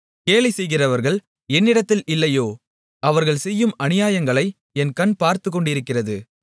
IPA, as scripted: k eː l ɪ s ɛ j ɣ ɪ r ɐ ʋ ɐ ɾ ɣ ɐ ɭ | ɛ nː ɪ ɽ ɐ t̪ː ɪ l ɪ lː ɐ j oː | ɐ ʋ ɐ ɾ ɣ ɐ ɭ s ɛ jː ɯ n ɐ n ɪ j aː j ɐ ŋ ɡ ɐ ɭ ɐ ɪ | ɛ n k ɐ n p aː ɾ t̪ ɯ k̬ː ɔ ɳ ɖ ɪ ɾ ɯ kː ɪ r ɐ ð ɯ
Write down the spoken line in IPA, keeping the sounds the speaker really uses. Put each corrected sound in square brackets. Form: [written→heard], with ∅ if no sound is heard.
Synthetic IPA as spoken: k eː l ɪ s ɛ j ɣ ɪ r ɐ ʋ ɐ ɾ ɣ ɐ ɭ | ɛ nː ɪ ɽ ɐ t̪ː ɪ l ɪ lː ɐ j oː | ɐ ʋ ɐ ɾ ɣ ɐ ɭ s ɛ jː ɯ [n→m] ɐ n ɪ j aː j ɐ ŋ ɡ ɐ ɭ ɐ ɪ | ɛ n k ɐ n p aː ɾ t̪ ɯ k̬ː ɔ ɳ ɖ ɪ ɾ ɯ kː ɪ r ɐ ð ɯ